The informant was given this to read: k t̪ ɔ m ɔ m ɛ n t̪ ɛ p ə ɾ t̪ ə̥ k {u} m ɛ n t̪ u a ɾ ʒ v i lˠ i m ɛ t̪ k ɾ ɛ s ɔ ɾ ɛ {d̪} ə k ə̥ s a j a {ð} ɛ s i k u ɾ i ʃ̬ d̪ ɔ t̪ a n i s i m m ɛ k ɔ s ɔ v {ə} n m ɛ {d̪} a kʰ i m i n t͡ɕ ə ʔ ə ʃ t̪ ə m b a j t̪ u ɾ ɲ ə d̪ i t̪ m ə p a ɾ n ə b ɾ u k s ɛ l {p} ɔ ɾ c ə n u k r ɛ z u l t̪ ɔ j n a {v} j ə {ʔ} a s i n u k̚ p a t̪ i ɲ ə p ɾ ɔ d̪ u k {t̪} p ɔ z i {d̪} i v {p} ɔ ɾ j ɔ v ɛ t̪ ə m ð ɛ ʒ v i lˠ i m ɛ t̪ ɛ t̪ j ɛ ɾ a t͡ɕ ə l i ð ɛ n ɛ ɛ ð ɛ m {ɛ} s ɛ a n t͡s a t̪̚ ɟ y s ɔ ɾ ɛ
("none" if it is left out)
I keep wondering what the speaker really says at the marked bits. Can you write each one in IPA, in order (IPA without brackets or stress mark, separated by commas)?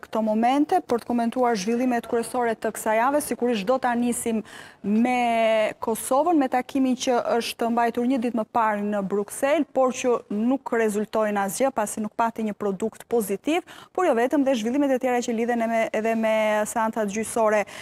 ɔ, t̪, v, ə, t̪, p, z, p, t̪, t̪, p, ɛ